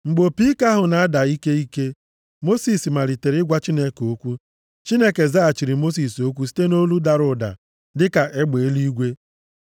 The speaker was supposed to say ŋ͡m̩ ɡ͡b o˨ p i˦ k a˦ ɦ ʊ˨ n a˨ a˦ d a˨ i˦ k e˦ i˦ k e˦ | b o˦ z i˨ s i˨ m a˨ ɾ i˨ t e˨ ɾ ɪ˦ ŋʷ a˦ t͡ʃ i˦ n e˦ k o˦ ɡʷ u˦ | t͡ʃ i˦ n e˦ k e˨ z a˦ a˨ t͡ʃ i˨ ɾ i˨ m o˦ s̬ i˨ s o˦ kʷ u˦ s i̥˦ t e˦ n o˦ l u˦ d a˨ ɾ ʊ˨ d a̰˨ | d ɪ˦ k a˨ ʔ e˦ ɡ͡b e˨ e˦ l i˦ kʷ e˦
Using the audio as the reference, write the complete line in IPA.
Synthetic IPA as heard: ŋ͡m̩ ɡ͡b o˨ p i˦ k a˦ ɦ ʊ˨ n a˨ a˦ d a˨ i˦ k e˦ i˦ k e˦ | m o˦ s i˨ s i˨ m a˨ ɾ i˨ t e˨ ɾ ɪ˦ ɡʷ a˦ t͡ʃ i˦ n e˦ k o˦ kʷ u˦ | t͡ʃ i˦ n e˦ k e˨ z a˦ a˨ t͡ʃ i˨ ɾ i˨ m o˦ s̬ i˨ s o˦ kʷ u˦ s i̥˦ t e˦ n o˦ l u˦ d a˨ ɾ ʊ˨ d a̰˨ | d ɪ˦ k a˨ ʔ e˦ ɡ͡b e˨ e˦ l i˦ ɡʷ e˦